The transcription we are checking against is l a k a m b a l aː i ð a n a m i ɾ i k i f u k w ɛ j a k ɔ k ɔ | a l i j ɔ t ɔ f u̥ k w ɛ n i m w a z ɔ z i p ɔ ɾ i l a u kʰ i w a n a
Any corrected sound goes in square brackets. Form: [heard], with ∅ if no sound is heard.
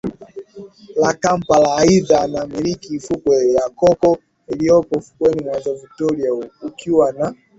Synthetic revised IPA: l a k a m [p] a l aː i ð a n a m i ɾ i k i f u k w ɛ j a k ɔ k ɔ | [i] l i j ɔ [p] ɔ f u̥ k w ɛ n i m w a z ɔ [v] i [t] ɔ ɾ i [∅] a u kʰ i w a n a

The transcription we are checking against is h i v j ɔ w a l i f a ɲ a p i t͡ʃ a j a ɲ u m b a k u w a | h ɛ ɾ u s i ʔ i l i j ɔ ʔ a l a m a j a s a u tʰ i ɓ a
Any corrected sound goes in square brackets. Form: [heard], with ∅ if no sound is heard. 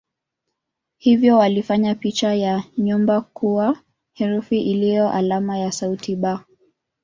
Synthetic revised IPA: h i v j ɔ w a l i f a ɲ a p i t͡ʃ a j a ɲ u m b a k u w a | h ɛ ɾ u [f] i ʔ i l i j ɔ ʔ a l a m a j a s a u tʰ i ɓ a

